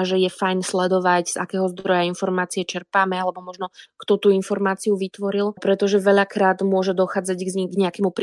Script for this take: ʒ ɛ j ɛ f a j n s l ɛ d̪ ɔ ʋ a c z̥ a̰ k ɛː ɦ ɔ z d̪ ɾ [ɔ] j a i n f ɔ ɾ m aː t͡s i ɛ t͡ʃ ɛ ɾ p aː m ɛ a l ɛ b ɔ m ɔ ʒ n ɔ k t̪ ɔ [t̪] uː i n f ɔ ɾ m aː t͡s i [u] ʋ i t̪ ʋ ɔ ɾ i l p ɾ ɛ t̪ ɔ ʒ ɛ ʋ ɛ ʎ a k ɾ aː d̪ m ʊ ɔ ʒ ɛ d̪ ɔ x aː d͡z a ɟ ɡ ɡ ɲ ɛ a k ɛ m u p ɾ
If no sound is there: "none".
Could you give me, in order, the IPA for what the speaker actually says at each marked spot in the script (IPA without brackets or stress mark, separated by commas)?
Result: ɔ, t̪, u